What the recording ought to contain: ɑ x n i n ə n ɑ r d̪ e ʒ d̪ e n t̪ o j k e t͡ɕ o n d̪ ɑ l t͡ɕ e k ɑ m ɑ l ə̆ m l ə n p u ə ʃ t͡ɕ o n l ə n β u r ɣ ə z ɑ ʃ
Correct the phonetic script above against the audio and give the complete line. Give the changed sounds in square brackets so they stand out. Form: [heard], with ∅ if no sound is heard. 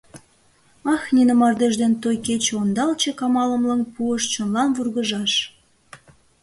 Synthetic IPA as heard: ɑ x n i n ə [m] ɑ r d̪ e ʒ d̪ e n t̪ o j k e t͡ɕ o n d̪ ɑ l t͡ɕ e k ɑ m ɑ l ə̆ m l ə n p u ə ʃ t͡ɕ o n l [ɑ] n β u r ɣ ə [ʒ] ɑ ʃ